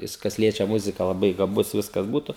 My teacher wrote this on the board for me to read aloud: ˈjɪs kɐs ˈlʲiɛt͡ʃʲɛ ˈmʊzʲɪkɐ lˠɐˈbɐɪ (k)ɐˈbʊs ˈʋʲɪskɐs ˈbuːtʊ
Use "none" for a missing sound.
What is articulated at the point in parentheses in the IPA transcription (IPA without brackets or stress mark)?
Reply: ɡ